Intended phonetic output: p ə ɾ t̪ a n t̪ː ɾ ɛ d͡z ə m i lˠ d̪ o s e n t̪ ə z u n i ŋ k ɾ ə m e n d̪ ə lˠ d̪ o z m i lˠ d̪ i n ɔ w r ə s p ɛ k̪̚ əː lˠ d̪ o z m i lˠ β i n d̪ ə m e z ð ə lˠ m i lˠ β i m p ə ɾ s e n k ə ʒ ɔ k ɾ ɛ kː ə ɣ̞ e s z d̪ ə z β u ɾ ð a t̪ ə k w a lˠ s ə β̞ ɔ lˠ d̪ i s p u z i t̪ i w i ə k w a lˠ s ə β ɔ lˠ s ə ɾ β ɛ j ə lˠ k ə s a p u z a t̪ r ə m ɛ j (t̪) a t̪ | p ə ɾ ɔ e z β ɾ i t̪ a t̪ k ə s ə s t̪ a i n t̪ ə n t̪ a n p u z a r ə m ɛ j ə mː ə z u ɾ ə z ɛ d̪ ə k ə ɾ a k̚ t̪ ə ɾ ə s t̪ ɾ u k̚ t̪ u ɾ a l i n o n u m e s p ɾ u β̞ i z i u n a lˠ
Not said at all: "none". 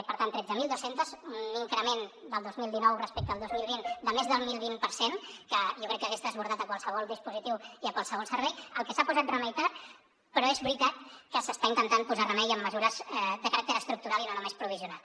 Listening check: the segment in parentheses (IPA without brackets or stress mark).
t̪